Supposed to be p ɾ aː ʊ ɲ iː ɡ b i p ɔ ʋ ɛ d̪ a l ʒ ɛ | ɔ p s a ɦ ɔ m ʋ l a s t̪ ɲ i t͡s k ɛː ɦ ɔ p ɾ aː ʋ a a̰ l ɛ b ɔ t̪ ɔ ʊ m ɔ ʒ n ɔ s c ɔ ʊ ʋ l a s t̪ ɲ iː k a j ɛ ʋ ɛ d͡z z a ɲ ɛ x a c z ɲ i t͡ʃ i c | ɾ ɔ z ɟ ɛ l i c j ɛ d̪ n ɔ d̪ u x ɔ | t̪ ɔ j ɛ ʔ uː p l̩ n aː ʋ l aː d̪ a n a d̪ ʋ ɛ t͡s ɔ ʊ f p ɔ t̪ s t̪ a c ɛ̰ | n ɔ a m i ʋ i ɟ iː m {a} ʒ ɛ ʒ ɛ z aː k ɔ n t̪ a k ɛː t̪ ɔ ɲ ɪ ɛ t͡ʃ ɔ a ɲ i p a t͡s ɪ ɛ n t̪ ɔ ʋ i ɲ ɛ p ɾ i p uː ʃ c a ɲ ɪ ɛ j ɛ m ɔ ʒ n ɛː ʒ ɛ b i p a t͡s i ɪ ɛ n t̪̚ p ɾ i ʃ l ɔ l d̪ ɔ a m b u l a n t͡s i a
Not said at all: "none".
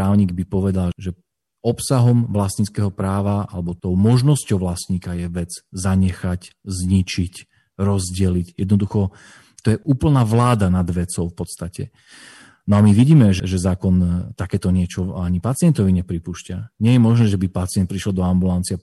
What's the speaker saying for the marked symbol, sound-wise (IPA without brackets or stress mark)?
ɛ